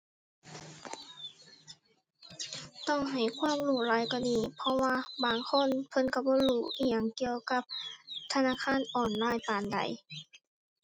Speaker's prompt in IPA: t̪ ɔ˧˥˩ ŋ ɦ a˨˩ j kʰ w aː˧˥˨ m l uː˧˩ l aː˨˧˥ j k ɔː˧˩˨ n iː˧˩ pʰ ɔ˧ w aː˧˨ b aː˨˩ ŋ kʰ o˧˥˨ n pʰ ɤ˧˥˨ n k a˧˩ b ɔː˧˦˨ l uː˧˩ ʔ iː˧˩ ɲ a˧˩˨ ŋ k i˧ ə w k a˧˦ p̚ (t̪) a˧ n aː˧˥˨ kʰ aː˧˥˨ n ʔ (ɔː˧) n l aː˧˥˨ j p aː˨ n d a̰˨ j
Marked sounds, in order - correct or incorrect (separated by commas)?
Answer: incorrect, incorrect